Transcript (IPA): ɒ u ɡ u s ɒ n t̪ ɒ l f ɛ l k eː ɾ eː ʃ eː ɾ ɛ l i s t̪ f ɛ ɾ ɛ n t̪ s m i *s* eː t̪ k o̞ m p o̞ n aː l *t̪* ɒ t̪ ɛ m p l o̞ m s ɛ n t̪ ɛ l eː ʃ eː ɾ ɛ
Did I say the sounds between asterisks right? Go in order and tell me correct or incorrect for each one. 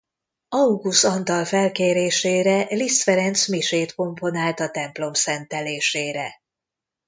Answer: incorrect, correct

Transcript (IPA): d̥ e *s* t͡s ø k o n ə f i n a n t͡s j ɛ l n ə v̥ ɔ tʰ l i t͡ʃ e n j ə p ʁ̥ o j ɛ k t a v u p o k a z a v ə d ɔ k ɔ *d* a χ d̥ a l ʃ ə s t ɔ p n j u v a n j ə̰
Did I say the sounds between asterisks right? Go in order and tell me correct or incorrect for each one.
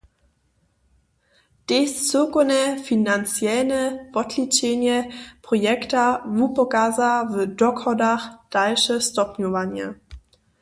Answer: correct, correct

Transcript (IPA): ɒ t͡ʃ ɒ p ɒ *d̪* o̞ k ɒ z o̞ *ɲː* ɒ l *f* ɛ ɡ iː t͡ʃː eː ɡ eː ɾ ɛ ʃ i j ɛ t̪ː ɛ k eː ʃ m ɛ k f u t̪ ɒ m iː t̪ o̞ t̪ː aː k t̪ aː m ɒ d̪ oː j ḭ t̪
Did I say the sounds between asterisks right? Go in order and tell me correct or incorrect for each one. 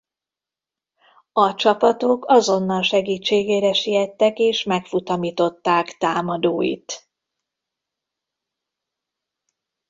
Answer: incorrect, incorrect, incorrect

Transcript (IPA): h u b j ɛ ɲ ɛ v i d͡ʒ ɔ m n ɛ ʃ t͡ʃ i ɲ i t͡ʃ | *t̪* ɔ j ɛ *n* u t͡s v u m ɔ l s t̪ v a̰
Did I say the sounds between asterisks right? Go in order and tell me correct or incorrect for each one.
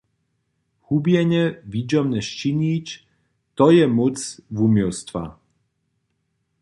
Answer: correct, incorrect

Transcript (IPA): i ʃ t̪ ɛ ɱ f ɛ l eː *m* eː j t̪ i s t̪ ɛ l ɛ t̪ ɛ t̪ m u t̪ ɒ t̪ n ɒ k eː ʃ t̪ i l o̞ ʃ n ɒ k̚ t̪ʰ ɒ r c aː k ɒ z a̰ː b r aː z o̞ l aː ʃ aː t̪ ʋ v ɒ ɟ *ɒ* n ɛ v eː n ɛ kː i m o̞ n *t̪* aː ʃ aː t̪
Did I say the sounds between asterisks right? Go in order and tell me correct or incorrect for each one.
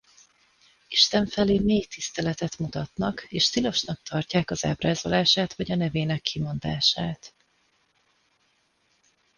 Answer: correct, correct, incorrect

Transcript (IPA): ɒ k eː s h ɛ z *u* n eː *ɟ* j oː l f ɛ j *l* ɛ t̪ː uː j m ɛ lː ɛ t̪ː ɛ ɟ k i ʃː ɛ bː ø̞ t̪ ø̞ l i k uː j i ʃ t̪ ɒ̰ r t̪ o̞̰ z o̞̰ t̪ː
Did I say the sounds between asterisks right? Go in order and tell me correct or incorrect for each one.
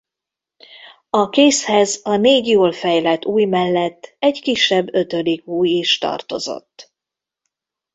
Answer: incorrect, correct, correct

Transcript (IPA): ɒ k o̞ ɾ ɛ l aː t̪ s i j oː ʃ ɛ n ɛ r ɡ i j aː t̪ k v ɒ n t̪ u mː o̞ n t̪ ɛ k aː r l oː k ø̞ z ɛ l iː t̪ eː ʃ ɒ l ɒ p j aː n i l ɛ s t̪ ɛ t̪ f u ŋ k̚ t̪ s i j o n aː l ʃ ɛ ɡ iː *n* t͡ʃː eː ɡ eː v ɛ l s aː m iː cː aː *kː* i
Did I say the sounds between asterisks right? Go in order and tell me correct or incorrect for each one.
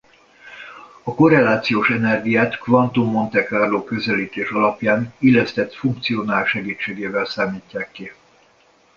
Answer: incorrect, correct

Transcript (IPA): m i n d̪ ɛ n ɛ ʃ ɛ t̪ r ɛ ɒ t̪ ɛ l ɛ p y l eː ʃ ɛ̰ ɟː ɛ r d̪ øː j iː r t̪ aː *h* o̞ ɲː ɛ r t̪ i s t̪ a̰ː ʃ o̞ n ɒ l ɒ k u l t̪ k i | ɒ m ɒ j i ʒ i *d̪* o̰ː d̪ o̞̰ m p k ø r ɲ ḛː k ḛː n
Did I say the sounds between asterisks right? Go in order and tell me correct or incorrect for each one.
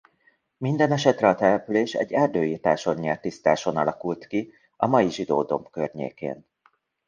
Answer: incorrect, correct

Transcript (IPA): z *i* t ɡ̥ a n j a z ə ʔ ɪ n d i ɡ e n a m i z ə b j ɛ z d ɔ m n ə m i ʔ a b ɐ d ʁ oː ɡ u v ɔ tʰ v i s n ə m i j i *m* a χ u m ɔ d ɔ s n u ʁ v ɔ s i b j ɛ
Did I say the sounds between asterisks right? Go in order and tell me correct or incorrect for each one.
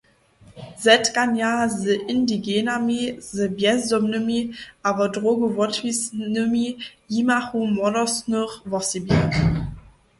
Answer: incorrect, correct

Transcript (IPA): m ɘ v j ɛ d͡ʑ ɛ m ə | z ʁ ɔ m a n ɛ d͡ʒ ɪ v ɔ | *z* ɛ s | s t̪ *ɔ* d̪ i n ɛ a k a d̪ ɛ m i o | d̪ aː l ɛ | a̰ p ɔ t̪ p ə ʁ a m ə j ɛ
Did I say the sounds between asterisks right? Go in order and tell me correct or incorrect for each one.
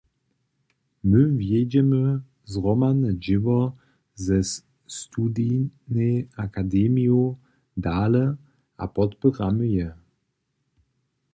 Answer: correct, incorrect

